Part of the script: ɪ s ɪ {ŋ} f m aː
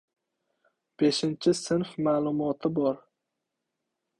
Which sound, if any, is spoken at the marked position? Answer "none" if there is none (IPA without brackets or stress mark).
n